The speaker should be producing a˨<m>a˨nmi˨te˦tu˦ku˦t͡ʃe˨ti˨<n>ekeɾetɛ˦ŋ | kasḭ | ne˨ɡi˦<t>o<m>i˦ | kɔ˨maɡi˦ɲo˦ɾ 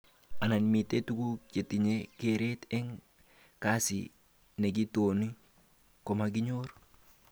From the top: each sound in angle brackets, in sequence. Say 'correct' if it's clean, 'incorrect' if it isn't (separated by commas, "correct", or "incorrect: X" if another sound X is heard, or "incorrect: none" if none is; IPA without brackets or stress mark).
incorrect: n, incorrect: ɲ, correct, incorrect: n